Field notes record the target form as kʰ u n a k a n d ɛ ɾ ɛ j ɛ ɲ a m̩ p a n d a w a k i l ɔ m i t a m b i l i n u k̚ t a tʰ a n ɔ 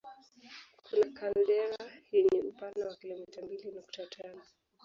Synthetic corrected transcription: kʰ u n a k a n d ɛ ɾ a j ɛ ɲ ɛ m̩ p a n d a w a k i l ɔ m i t a m b i l i n u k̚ t a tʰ a n ɔ